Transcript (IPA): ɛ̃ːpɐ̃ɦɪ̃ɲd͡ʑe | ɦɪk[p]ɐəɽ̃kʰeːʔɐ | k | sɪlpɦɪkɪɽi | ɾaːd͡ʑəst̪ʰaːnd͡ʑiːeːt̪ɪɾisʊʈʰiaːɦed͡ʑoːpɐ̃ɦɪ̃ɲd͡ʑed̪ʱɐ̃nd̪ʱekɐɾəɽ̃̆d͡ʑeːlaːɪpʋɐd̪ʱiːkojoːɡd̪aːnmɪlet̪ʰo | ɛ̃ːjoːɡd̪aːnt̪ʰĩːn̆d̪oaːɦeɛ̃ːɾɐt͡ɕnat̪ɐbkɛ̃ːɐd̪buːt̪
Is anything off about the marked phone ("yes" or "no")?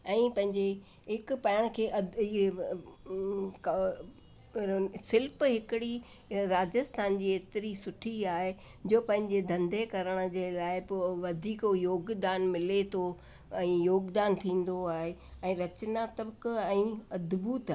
no